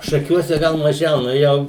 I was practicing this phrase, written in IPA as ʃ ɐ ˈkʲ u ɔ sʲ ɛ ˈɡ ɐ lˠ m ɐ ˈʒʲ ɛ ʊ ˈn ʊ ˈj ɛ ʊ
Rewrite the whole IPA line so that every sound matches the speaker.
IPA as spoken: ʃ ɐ ˈkʲ u ɔ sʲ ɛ ˈɡ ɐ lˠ m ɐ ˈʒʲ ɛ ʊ ˈn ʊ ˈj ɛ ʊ